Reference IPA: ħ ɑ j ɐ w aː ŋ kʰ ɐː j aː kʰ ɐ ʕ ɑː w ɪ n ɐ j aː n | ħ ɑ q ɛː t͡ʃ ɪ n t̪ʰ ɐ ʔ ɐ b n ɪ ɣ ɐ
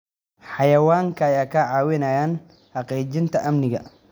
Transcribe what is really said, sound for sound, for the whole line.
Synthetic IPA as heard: ħ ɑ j ɐ w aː ŋ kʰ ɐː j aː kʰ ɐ ʕ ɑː w ɪ n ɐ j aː n | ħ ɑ q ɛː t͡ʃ ɪ n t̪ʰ ɐ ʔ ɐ m n ɪ ɣ ɐ